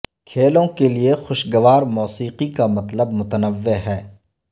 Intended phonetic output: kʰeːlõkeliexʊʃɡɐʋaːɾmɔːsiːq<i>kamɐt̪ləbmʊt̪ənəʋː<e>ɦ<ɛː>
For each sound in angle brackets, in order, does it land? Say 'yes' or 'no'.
yes, yes, yes

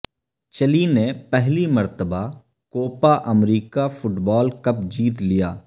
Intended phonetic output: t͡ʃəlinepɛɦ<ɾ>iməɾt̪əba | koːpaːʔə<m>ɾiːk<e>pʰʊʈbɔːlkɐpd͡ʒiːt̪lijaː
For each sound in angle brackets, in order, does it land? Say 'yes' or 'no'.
no, yes, no

